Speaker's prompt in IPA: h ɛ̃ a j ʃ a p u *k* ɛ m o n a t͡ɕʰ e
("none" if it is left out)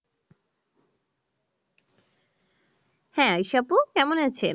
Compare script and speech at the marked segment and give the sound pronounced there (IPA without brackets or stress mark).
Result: k